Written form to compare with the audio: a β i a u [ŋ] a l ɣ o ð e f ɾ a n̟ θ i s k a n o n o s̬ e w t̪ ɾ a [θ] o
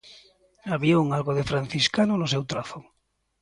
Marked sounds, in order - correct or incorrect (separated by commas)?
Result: correct, correct